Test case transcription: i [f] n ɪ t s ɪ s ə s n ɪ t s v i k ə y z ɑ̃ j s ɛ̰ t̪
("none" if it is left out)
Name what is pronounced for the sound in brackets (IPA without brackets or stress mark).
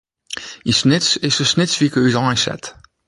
s